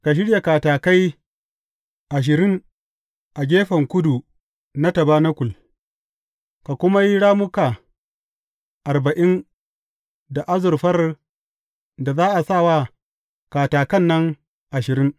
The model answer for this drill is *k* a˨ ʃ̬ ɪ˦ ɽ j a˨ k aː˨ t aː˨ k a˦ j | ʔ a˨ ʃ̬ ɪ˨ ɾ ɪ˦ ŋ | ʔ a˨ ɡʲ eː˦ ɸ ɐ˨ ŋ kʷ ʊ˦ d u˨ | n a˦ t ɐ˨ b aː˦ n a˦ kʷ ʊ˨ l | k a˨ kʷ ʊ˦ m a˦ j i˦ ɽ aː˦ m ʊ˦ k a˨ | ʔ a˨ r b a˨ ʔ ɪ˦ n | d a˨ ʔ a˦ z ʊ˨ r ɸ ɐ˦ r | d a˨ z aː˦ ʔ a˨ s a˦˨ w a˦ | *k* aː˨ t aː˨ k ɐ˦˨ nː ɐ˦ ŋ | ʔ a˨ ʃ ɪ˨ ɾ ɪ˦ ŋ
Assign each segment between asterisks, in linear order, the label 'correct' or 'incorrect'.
correct, correct

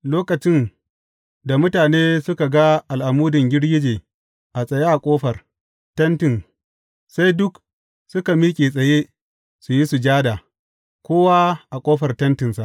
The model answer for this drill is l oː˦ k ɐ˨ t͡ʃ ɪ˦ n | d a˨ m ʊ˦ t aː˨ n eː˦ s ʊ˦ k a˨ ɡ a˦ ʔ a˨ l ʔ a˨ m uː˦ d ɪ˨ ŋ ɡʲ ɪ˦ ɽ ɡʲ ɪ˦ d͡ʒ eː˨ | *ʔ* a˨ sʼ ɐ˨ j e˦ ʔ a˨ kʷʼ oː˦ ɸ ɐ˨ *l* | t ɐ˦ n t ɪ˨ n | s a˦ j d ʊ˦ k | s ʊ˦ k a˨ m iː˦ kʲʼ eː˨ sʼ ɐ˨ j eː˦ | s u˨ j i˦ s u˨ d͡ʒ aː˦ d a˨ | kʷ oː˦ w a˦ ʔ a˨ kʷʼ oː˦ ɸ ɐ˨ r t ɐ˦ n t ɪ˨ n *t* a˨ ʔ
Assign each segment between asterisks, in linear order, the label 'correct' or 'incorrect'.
correct, incorrect: r, incorrect: s

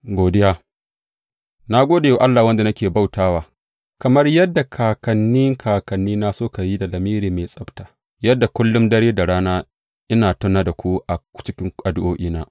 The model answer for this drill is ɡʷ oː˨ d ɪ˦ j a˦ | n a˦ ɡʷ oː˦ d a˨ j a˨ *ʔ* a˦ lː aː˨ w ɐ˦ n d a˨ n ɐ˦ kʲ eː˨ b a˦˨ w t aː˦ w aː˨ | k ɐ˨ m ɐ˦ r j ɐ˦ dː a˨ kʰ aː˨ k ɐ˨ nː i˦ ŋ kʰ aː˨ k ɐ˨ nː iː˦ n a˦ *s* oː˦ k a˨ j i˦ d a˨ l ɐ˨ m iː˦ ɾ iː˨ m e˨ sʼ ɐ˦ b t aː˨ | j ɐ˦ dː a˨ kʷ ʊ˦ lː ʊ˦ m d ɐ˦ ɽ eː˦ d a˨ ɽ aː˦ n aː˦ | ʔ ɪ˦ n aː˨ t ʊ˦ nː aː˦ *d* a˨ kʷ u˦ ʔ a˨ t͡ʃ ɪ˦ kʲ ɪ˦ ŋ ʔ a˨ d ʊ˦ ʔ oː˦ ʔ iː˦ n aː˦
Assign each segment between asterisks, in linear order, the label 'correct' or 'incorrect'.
correct, correct, correct

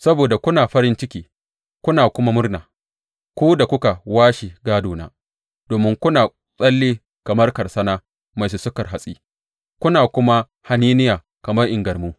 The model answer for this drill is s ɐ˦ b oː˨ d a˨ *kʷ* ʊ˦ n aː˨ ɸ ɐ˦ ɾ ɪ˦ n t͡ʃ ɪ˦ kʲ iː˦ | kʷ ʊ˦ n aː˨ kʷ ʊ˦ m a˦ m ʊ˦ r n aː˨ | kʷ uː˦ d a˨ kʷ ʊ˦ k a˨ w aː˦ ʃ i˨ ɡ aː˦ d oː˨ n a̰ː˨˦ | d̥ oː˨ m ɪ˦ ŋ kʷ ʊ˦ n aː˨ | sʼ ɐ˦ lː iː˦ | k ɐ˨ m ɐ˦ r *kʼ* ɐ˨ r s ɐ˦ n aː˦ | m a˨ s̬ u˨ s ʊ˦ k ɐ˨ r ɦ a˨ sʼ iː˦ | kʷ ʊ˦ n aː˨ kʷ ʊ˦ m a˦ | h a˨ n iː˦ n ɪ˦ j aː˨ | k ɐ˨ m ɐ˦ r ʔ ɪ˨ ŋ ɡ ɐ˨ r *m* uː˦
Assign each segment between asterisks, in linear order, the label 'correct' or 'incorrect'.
correct, incorrect: k, correct

